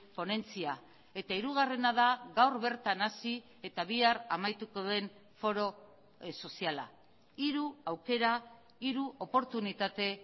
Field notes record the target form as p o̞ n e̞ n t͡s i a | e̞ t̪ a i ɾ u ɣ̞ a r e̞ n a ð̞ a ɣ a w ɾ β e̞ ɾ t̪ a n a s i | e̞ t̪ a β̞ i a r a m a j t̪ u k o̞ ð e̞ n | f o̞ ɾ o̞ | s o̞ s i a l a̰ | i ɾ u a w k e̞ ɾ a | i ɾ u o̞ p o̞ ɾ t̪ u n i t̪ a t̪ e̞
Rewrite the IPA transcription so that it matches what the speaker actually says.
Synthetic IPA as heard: p o̞ n e̞ n t͡s i a | e̞ t̪ a i ɾ u ɣ̞ a r e̞ n a ð̞ a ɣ a w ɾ β e̞ ɾ t̪ a n a s i | e̞ t̪ a β̞ i a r a m a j t̪ u k o̞ ð e̞ n | f o̞ ɾ o̞ | s o̞ s i a l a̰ | i ɾ u a w k e̞ ɾ a | i ɾ u o̞ p o̞ ɾ t̪ u n i t̪ a t̪ e̞

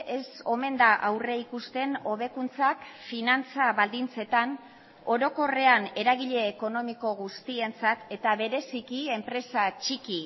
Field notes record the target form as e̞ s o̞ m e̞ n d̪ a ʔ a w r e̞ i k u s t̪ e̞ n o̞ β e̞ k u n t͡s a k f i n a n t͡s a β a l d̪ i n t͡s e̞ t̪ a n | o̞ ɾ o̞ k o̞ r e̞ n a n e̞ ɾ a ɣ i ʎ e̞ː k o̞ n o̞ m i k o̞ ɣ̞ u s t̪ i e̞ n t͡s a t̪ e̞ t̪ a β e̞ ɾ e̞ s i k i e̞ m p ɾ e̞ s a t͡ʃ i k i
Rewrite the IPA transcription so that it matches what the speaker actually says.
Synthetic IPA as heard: e̞ s o̞ m e̞ n d̪ a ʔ a w r e̞ i k u s t̪ e̞ n o̞ β e̞ k u n t͡s a k f i n a n t͡s a β a l d̪ i n t͡s e̞ t̪ a n | o̞ ɾ o̞ k o̞ r e̞ a n e̞ ɾ a ɣ i ʎ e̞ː k o̞ n o̞ m i k o̞ ɣ̞ u s t̪ i e̞ n t͡s a t̪ e̞ t̪ a β e̞ ɾ e̞ s i k i e̞ m p ɾ e̞ s a t͡ʃ i k i

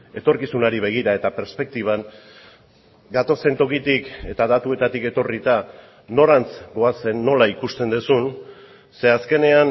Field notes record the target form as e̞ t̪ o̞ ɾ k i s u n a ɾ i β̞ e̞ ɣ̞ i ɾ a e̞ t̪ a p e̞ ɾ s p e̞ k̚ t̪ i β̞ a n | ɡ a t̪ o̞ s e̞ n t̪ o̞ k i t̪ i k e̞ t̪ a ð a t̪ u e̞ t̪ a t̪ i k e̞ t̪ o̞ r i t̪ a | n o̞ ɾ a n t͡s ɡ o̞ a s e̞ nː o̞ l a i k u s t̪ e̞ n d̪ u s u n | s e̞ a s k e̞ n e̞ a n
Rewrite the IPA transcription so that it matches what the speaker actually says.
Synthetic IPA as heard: e̞ t̪ o̞ ɾ k i s u n a ɾ i β̞ e̞ ɣ̞ i ɾ a e̞ t̪ a p e̞ ɾ s p e̞ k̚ t̪ i β̞ a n | ɡ a t̪ o̞ s e̞ n t̪ o̞ k i t̪ i k e̞ t̪ a ð a t̪ u e̞ t̪ a t̪ i k e̞ t̪ o̞ r i t̪ a | n o̞ ɾ a n t͡s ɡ o̞ a s e̞ nː o̞ l a i k u s t̪ e̞ n d̪ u s u n | s e̞ a s k e̞ n e̞ a n

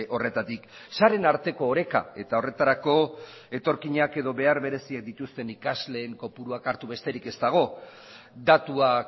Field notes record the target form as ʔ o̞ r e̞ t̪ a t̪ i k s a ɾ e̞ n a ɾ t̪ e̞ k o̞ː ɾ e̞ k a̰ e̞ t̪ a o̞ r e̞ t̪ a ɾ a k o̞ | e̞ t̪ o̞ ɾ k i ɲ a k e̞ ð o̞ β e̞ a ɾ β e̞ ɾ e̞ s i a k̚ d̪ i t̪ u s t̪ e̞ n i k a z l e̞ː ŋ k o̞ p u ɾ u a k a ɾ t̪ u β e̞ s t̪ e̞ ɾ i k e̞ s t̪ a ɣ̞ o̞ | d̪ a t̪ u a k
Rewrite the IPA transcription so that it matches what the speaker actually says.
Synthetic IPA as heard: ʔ o̞ r e̞ t̪ a t̪ i k s a ɾ e̞ n a ɾ t̪ e̞ k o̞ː ɾ e̞ k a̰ e̞ t̪ a o̞ r e̞ t̪ a ɾ a k o̞ | e̞ t̪ o̞ ɾ k i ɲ a k e̞ ð o̞ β e̞ a ɾ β e̞ ɾ e̞ s i a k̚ d̪ i t̪ u s t̪ e̞ n i k a z l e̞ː ŋ k o̞ p u ɾ u a k a ɾ t̪ u β e̞ s t̪ e̞ ɾ i k e̞ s t̪ a ɣ̞ o̞ | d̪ a t̪ u a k

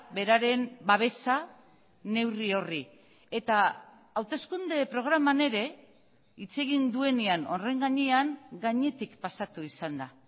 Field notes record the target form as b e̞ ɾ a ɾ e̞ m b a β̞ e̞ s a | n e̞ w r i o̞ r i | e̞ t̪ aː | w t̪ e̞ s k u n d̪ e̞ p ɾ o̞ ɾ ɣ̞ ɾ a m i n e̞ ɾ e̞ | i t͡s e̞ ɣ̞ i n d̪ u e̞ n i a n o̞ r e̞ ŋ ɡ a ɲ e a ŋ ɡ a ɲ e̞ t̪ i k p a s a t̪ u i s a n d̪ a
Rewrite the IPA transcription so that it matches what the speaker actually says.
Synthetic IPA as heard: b e̞ ɾ a ɾ e̞ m b a β̞ e̞ s a | n e̞ w r i o̞ r i | e̞ t̪ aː | w t̪ e̞ s k u n d̪ e̞ p ɾ o̞ ɣ̞ ɾ a m a n e̞ ɾ e̞ | i t͡s e̞ ɣ̞ i n d̪ u e̞ n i a n o̞ r e̞ ŋ ɡ a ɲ e a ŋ ɡ a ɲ e̞ t̪ i k p a s a t̪ u i s a n d̪ a

